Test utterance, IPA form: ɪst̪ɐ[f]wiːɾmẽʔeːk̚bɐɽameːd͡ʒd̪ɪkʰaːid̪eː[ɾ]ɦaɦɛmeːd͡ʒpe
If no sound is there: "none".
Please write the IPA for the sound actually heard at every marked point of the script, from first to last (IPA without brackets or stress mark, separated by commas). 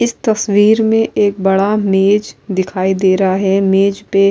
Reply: s, ɾ